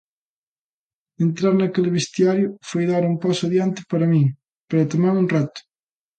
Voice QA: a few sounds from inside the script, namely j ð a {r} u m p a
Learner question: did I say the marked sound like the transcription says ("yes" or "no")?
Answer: no